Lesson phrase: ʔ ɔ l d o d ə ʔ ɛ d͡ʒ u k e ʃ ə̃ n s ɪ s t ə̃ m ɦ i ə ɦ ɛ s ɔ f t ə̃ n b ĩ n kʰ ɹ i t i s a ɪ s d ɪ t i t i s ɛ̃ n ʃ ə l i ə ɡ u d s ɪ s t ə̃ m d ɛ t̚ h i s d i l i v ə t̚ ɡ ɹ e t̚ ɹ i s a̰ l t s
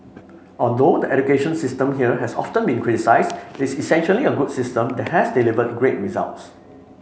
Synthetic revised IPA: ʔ ɔ l d o d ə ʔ ɛ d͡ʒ u k e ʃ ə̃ n s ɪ s t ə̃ m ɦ i ə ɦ ɛ s ɔ f t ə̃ n b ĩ n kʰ ɹ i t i s a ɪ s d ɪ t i s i s ɛ̃ n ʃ ə l i ə ɡ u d s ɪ s t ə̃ m d ɛ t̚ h ɛ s d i l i v ə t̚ ɡ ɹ e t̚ ɹ i z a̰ l t s